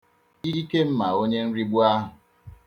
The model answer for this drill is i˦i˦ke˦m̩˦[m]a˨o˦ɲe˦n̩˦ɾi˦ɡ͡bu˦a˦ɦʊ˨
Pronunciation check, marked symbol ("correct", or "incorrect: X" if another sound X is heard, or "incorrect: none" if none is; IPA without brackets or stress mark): correct